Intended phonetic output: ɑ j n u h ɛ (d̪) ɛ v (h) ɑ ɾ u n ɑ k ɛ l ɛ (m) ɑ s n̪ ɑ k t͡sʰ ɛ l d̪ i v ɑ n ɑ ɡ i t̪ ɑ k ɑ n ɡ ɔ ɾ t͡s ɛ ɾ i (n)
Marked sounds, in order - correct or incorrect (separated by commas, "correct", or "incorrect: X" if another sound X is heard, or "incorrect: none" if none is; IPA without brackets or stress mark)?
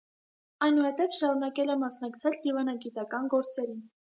incorrect: t̪, incorrect: ʃ, correct, correct